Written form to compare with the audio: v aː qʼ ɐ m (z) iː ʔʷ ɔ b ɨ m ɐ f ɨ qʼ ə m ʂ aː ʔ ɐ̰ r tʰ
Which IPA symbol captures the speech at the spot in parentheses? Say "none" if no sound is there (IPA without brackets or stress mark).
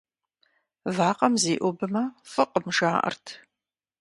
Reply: z